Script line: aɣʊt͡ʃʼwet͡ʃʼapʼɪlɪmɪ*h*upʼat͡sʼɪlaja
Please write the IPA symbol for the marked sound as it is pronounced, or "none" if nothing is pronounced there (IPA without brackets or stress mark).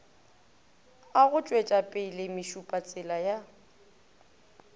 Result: ʃ